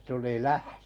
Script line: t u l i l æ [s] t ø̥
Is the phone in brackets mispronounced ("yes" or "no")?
yes